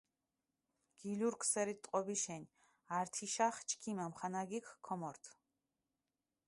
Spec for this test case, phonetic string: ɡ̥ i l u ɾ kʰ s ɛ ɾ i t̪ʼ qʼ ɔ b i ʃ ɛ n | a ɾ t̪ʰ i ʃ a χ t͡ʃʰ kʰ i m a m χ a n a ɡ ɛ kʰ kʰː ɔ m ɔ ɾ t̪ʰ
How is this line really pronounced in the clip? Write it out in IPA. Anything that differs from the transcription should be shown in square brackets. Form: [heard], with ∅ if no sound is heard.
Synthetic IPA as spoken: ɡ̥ i l u ɾ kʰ s ɛ ɾ i t̪ʼ qʼ ɔ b i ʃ ɛ n | a ɾ t̪ʰ i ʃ a χ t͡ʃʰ kʰ i m a m χ a n a ɡ [i] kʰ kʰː ɔ m ɔ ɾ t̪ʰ